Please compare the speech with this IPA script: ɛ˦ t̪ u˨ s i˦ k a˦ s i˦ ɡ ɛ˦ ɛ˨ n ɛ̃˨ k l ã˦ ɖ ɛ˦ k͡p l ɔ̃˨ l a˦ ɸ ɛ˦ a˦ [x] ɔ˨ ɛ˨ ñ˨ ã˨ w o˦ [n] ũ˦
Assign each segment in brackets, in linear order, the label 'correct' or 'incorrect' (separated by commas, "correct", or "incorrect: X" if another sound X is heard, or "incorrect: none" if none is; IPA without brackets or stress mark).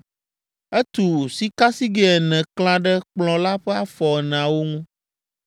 incorrect: f, incorrect: ŋ